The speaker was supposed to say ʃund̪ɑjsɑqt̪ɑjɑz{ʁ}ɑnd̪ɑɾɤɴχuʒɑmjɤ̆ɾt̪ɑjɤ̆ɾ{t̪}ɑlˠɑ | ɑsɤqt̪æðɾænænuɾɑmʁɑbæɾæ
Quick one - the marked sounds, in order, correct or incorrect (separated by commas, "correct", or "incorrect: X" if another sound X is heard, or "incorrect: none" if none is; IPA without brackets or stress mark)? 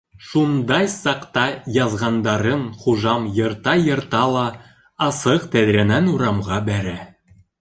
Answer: correct, correct